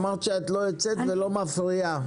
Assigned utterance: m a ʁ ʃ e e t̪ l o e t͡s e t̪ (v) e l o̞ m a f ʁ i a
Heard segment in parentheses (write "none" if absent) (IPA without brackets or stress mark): v